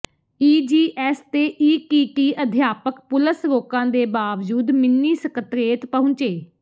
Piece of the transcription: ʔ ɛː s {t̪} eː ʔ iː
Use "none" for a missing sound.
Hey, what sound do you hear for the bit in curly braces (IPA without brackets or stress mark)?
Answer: t̪